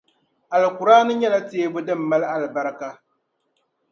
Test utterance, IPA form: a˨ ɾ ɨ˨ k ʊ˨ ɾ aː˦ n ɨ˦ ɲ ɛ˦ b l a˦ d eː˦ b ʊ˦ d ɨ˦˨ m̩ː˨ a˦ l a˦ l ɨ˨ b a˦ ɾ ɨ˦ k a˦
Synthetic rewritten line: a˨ l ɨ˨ k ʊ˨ ɾ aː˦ n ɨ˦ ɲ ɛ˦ l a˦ t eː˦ b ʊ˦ d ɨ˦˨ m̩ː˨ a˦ l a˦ l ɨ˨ b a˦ ɾ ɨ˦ k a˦